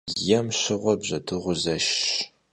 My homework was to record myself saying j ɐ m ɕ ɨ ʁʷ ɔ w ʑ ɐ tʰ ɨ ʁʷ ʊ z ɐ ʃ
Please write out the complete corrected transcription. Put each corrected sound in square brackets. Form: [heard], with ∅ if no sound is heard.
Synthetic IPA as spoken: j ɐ m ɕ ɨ ʁʷ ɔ [b] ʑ ɐ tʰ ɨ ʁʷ ʊ z ɐ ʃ